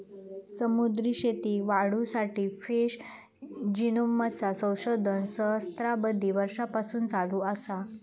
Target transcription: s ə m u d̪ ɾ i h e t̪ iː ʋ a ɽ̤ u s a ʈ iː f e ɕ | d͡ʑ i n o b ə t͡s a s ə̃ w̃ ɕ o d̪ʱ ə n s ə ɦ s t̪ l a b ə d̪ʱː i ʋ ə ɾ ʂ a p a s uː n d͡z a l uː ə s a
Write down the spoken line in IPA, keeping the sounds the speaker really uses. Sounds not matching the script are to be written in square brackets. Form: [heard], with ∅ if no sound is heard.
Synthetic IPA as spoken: s ə m u d̪ ɾ i [ɕ] e t̪ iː ʋ a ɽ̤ u s a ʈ iː f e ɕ | d͡ʑ i n o [m] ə t͡s a s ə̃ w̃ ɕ o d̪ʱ ə n s ə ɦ s t̪ [ɾ] a b ə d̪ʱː i ʋ ə ɾ ʂ a p a s uː n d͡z a l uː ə s a